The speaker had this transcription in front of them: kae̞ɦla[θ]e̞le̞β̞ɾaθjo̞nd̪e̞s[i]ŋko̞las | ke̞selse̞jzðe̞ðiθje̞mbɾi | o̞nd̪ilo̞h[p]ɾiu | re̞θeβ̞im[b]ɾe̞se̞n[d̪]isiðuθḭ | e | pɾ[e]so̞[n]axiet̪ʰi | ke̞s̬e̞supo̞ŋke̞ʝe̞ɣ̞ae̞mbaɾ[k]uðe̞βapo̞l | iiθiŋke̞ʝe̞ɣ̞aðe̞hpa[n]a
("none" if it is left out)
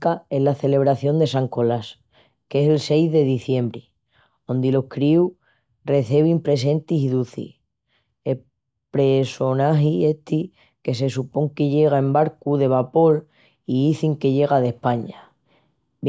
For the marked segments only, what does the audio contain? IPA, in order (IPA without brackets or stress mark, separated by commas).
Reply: θ, a, k, p, t̪, e, n, k, ɲ